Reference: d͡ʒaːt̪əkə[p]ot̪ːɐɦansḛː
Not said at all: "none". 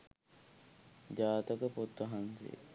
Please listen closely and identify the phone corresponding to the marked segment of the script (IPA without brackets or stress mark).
p